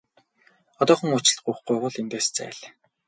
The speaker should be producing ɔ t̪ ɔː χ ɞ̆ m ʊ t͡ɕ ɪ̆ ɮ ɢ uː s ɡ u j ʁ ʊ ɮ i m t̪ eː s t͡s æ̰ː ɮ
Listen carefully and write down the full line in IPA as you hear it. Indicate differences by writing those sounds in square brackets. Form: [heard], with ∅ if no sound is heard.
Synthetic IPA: ɔ t̪ ɔː χ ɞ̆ [ŋ] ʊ t͡ɕ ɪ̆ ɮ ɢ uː [χ] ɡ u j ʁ ʊ ɮ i [n] t̪ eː s t͡s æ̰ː ɮ